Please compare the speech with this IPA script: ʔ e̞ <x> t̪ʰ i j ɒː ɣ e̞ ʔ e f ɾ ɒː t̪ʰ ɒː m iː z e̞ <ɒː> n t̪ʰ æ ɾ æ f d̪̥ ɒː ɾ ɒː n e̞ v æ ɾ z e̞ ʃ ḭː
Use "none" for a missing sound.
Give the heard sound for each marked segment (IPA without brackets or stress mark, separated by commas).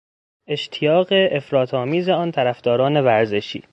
ʃ, ɒː